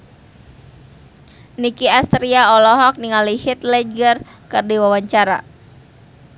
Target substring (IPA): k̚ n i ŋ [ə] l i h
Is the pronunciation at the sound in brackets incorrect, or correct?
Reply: incorrect